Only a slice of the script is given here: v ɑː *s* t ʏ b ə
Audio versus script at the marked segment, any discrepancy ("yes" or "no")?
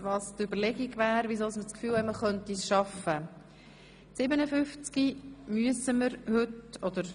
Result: no